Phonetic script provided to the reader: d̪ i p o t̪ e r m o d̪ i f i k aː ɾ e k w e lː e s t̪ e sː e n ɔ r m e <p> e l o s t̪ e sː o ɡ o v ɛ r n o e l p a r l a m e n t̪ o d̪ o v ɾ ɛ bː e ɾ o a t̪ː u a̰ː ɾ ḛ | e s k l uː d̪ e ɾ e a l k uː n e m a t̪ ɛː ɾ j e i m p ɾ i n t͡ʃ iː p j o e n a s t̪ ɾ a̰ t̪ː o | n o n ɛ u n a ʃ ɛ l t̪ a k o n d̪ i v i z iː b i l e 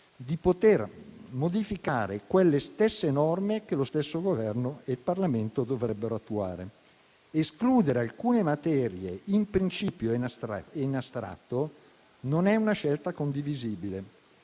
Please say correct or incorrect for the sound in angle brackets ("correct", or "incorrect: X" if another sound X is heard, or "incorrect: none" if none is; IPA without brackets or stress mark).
incorrect: k